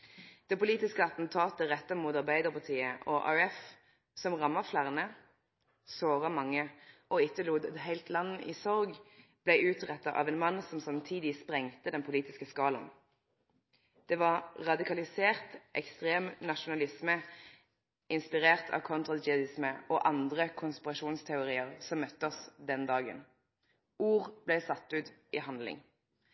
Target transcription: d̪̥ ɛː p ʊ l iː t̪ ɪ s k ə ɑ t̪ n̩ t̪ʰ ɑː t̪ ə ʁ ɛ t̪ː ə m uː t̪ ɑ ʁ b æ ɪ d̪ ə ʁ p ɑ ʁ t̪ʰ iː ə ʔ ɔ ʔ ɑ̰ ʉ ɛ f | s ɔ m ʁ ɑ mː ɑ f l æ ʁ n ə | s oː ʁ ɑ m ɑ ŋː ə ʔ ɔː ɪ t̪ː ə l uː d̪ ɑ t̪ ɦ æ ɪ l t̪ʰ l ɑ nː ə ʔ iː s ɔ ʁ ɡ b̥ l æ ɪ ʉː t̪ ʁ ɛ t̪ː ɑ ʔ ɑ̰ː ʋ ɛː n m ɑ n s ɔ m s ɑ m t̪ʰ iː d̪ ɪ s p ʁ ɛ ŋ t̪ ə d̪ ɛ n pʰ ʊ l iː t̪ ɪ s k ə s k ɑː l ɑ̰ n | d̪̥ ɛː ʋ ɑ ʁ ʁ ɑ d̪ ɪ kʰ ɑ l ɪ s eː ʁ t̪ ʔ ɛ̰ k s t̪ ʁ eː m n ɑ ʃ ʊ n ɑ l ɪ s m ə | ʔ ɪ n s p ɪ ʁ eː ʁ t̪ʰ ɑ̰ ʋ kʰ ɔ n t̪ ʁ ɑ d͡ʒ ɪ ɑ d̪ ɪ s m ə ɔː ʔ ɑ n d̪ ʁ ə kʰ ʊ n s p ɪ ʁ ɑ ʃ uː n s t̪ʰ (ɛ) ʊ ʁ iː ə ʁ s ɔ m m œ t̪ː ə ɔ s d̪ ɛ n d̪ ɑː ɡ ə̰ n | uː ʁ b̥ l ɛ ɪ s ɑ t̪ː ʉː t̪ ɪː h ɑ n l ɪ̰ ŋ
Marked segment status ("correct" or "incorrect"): correct